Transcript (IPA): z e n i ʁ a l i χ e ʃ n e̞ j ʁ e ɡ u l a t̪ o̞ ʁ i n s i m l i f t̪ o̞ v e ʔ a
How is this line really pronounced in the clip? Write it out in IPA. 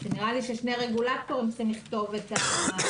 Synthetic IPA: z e n i ʁ a l i ʃ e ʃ n e̞ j ʁ e ɡ u l a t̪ o̞ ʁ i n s i m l i χ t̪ o̞ v e t a